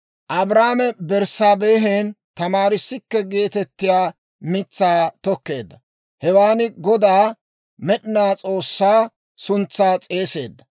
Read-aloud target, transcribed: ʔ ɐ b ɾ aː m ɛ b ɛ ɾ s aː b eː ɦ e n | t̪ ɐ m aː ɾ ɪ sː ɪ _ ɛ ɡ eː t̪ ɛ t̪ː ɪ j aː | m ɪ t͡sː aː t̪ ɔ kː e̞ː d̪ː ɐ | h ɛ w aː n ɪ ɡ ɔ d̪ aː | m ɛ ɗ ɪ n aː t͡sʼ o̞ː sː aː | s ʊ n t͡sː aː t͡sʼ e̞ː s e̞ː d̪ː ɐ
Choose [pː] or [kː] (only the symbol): kː